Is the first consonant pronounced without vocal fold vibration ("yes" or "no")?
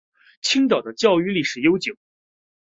yes